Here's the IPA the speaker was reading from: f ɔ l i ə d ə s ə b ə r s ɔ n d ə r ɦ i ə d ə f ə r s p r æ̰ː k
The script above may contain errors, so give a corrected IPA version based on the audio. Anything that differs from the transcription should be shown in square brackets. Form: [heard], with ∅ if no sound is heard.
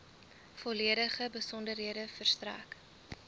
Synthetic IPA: f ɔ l i ə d ə [χ] ə b ə [∅] s ɔ n d ə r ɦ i ə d ə f ə r s [t] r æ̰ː k